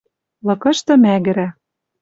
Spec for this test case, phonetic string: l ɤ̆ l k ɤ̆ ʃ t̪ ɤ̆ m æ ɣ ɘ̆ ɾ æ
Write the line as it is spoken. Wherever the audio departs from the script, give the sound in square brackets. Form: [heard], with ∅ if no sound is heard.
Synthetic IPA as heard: l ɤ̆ [∅] k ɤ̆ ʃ t̪ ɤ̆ m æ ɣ ɘ̆ ɾ æ